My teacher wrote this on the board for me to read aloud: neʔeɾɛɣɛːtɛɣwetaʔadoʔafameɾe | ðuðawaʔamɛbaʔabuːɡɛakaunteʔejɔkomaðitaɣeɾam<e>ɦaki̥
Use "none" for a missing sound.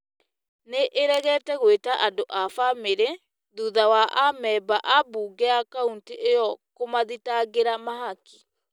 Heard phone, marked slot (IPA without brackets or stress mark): a